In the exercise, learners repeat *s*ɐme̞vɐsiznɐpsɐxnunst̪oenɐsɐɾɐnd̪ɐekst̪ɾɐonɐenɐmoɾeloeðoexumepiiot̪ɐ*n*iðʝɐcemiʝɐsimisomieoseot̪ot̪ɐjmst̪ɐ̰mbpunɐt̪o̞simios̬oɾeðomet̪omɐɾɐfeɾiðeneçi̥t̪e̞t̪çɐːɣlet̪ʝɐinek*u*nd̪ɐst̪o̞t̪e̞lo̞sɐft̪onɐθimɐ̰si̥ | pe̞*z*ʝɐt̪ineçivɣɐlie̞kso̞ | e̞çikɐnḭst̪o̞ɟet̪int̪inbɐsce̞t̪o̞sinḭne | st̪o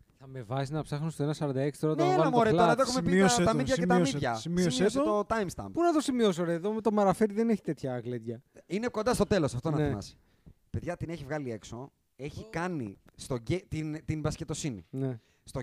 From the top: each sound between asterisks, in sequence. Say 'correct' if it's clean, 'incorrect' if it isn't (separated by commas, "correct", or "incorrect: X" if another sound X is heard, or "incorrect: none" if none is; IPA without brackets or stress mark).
incorrect: θ, incorrect: m, incorrect: o, incorrect: ð